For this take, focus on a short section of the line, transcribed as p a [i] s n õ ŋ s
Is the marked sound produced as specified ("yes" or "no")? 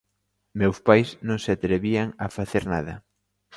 no